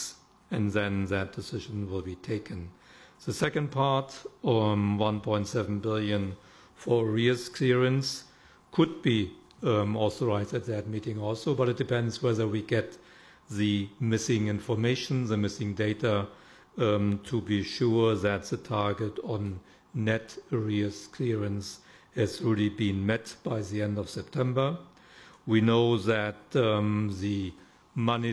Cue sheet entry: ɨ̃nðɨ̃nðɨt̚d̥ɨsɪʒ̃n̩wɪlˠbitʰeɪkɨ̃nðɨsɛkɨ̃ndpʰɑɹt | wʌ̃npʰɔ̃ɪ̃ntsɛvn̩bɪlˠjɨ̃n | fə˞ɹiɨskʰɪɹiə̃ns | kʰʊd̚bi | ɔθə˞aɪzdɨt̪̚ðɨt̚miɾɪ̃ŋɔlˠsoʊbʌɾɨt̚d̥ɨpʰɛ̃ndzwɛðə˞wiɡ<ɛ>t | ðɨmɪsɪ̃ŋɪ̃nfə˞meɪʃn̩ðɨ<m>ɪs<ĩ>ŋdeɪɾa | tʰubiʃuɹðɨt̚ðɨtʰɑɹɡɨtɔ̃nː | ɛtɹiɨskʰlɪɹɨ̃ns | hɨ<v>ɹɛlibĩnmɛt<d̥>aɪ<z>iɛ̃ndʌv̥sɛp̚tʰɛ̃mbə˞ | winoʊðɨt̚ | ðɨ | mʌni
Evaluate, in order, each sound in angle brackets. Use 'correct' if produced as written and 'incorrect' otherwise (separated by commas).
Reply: correct, correct, incorrect, incorrect, incorrect, incorrect